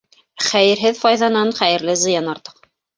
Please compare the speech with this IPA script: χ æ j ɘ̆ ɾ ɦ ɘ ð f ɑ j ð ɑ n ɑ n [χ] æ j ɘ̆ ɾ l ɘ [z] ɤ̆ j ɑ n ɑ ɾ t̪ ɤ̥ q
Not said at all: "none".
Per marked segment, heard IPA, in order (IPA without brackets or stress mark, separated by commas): χ, z